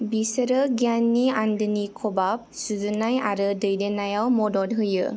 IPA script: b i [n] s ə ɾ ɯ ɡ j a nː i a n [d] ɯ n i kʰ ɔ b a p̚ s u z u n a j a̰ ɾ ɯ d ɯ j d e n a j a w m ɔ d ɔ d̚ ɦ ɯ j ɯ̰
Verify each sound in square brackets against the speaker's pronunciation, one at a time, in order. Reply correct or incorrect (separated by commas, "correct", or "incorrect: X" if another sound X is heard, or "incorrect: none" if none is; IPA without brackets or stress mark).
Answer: incorrect: none, correct